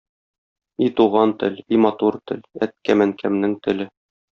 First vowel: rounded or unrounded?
unrounded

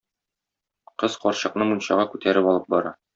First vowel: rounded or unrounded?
unrounded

